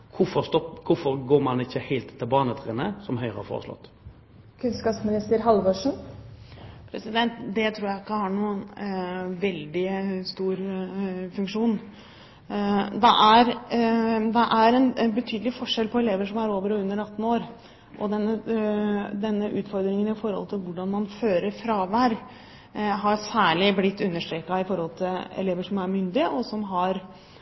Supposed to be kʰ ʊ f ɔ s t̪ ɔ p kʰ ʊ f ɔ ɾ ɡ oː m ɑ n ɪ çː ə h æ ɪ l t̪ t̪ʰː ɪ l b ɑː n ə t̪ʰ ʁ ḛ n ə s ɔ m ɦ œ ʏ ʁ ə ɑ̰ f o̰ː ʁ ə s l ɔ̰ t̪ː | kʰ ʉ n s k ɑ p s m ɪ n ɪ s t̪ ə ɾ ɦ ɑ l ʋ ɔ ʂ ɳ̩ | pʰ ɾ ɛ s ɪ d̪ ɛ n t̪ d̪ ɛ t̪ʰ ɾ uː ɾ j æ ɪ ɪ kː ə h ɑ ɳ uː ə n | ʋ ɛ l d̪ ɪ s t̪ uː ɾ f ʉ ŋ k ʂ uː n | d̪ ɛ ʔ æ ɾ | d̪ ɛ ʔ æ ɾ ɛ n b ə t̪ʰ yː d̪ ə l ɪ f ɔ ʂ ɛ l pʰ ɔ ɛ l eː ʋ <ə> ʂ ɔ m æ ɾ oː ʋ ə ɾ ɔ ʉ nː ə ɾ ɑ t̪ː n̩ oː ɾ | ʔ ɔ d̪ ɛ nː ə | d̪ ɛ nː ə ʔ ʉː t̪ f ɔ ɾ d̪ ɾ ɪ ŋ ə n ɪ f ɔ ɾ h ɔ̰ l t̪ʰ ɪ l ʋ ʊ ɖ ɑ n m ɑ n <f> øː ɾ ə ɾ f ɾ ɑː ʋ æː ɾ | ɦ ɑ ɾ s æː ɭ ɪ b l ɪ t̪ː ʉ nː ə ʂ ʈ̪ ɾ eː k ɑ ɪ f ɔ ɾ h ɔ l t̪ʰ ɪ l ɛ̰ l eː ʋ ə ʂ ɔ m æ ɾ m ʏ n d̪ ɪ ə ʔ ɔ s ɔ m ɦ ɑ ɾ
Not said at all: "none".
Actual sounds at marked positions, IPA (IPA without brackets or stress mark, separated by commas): ə, f